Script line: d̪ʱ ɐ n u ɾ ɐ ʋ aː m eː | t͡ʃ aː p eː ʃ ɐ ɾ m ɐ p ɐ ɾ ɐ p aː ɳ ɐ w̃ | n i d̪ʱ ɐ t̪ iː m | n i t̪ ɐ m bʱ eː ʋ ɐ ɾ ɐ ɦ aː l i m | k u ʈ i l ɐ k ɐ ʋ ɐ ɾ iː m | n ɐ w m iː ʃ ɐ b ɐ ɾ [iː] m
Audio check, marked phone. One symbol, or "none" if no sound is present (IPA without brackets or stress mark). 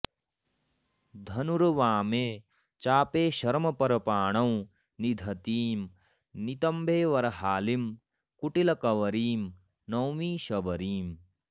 iː